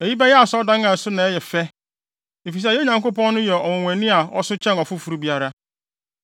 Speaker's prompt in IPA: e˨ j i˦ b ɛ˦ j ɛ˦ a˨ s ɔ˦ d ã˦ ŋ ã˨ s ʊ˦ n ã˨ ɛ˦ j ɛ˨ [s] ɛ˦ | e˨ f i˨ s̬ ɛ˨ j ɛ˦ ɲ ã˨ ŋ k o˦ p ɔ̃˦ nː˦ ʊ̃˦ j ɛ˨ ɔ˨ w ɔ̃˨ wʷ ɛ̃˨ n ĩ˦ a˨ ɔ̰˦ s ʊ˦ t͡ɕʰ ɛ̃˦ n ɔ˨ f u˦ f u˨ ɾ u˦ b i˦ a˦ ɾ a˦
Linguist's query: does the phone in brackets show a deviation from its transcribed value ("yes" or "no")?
yes